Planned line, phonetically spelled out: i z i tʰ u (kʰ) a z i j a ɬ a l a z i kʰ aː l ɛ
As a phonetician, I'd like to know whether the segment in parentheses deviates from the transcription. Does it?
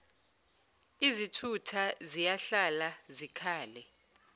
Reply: yes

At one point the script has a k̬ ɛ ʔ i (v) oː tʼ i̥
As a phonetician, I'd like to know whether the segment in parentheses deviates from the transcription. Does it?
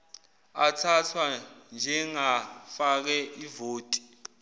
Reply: no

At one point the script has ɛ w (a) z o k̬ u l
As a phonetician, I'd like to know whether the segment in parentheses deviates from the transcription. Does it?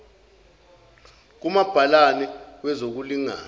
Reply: yes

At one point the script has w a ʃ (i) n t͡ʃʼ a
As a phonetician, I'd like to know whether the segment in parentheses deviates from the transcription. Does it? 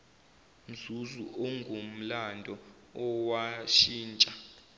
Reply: yes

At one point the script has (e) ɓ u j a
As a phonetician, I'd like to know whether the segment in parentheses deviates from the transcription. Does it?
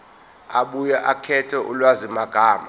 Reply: yes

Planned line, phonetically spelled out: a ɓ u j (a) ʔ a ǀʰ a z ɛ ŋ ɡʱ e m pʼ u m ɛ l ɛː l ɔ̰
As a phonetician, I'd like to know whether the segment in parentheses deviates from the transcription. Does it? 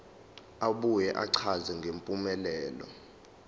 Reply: yes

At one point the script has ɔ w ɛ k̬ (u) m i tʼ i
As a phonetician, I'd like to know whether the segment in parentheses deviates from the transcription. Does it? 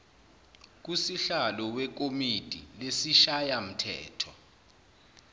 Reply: yes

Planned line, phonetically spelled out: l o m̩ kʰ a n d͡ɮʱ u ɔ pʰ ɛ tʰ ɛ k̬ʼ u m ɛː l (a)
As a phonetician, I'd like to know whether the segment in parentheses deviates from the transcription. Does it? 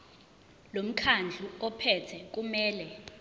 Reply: yes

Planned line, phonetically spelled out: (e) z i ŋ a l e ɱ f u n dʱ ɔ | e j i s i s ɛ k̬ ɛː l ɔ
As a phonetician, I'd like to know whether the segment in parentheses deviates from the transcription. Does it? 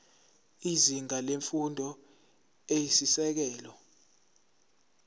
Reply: yes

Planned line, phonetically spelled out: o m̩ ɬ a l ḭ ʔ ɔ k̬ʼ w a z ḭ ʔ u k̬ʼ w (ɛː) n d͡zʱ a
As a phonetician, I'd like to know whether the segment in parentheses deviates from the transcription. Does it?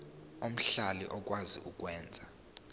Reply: no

